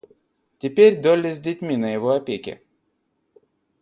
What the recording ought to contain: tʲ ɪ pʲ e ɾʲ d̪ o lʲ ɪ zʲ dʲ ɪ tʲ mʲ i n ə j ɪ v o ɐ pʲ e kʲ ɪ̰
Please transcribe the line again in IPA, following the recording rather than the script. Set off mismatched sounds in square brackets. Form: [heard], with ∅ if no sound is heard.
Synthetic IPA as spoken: tʲ ɪ pʲ e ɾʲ d̪ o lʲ ɪ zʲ dʲ ɪ tʲ mʲ i n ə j ɪ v o ɐ pʲ e kʲ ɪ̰